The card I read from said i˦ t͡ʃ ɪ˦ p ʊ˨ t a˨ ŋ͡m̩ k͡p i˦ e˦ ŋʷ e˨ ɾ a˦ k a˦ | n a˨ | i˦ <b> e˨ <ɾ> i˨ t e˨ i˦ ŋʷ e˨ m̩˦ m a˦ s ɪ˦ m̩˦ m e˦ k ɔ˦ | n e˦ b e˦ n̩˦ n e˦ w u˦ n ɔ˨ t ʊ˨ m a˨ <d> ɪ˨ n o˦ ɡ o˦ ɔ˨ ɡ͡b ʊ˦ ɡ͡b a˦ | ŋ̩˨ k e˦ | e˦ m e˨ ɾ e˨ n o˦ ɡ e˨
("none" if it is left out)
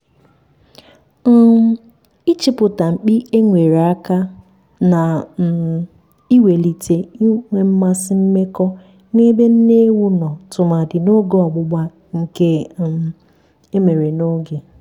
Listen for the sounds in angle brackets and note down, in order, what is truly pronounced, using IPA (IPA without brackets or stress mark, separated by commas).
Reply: w, l, d